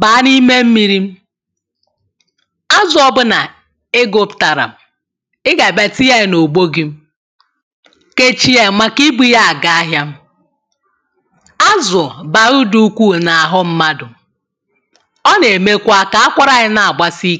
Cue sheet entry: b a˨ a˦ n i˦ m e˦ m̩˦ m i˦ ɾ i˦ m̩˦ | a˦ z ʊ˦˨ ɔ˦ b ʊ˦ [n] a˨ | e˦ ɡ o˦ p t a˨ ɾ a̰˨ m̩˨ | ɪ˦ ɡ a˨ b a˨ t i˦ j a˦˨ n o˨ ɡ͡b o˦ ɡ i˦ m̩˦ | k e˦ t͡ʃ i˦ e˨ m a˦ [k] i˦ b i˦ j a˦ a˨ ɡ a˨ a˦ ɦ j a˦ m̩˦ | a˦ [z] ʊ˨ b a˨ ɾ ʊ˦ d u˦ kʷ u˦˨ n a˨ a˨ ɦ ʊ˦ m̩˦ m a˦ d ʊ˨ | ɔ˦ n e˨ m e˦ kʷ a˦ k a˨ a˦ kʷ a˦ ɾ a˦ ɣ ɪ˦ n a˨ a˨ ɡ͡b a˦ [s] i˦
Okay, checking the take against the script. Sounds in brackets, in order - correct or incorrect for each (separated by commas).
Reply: correct, correct, correct, correct